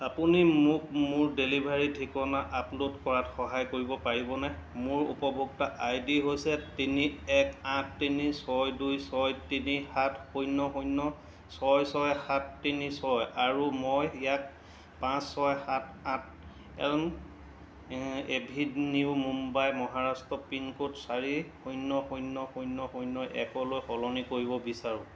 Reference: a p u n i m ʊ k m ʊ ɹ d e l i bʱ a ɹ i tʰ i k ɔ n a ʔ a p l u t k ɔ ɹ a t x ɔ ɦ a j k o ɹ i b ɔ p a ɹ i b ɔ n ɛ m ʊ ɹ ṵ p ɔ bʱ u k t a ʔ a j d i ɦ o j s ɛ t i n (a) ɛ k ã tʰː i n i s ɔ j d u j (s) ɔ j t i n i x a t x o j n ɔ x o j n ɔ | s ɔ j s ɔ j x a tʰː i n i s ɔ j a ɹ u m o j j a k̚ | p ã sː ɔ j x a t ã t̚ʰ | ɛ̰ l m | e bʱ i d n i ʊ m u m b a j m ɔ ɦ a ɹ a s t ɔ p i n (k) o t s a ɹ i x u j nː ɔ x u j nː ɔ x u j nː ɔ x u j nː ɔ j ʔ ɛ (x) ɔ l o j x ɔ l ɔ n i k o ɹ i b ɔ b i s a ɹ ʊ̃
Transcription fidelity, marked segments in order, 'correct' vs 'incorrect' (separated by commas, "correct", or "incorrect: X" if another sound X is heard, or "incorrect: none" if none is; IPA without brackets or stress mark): incorrect: i, correct, correct, incorrect: k